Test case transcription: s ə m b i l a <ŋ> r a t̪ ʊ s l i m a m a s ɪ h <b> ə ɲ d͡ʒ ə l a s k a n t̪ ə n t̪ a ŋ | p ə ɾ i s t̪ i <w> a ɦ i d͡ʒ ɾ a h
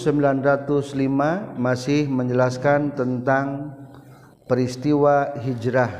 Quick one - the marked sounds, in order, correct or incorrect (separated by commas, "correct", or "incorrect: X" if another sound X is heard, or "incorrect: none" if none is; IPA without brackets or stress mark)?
incorrect: n, incorrect: m, correct